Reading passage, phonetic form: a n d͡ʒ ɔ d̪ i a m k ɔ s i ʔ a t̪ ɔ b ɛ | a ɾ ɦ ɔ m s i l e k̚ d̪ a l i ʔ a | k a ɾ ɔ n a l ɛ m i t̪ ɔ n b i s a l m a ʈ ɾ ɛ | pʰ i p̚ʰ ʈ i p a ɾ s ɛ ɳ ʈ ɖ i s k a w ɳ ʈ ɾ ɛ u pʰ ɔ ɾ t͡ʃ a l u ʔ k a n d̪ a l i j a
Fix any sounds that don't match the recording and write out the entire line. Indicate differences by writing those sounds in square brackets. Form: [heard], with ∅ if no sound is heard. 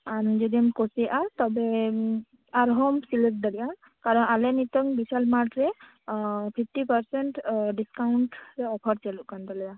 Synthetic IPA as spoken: a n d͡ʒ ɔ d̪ i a m k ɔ s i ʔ a t̪ ɔ b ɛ | a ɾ ɦ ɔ m s i l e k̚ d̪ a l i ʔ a | k a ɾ ɔ n a l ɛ [n] i t̪ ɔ [ŋ] b i s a l m a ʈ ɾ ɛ | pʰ i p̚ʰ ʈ i p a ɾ s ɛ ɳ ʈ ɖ i s k a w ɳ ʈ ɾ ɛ [ɔ] pʰ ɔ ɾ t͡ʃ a l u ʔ k a n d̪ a l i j a